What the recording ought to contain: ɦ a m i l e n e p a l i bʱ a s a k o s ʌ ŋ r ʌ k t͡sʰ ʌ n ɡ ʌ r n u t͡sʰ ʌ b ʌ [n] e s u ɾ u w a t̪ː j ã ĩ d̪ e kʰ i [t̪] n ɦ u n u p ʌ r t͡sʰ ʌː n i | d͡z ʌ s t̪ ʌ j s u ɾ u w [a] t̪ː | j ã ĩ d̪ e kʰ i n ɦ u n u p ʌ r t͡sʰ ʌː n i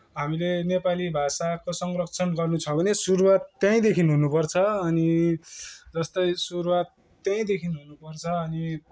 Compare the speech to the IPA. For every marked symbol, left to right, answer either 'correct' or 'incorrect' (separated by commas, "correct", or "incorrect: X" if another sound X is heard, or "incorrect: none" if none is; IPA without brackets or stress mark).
correct, incorrect: none, correct